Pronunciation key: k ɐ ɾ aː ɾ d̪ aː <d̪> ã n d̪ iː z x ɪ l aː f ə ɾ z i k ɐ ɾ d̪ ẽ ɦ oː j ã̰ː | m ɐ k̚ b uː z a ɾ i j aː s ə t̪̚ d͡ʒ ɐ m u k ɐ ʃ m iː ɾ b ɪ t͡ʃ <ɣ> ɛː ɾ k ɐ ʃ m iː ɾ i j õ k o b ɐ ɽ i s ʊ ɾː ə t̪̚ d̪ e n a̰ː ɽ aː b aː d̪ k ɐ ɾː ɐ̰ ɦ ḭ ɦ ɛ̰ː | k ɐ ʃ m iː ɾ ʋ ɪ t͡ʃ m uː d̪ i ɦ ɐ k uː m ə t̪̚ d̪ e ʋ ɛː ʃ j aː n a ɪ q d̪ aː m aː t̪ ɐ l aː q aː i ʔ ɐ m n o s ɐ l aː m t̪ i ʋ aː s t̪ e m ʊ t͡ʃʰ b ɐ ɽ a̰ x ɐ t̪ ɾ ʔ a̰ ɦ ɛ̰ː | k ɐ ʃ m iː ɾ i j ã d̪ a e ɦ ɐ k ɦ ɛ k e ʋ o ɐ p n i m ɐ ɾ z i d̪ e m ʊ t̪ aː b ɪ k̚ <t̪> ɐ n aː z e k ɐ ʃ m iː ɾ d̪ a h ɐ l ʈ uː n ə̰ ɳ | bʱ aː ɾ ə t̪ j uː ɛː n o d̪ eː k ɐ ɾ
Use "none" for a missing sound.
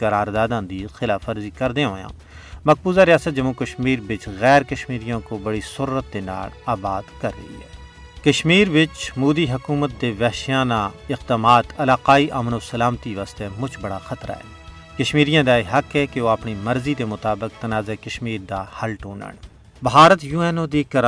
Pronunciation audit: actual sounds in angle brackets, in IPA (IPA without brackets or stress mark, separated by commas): d̪, ɣ, t̪